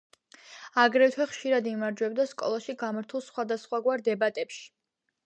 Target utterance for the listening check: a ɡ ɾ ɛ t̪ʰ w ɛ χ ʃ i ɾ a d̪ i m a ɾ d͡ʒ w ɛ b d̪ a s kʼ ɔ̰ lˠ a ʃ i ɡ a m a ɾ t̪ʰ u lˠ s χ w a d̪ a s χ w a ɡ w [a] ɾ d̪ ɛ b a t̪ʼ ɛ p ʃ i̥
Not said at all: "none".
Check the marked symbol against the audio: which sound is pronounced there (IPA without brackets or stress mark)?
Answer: a